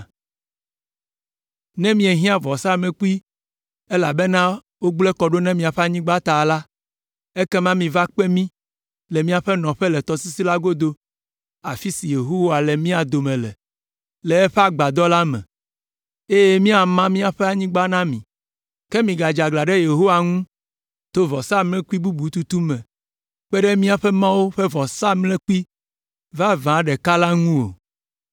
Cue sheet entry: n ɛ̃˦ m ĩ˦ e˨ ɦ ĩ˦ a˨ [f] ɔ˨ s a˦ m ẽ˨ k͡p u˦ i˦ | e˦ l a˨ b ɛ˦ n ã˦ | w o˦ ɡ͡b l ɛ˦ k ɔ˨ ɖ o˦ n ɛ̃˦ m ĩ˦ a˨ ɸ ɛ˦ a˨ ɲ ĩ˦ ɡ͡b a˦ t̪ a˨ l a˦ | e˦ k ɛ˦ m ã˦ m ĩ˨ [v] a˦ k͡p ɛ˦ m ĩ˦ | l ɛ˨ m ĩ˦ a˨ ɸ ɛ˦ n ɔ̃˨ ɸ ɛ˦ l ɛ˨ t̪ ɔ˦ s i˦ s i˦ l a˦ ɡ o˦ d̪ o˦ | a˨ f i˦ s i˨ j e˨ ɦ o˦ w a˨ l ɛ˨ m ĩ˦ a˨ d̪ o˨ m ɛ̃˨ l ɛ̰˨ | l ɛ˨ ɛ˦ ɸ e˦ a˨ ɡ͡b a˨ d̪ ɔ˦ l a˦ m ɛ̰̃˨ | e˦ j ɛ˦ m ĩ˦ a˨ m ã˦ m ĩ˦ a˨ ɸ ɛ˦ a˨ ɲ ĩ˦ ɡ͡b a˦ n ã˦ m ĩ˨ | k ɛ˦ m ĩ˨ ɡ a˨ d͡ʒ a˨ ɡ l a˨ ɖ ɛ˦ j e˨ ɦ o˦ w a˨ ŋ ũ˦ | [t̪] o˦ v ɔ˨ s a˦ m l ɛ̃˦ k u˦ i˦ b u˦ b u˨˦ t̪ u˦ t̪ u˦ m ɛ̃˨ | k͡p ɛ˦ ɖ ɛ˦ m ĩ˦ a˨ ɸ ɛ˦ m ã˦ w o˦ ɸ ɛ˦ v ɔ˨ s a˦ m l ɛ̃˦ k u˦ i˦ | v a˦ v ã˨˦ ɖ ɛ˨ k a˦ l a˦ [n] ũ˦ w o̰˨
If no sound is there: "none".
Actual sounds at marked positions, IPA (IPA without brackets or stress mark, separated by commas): v, v, t̪, ŋ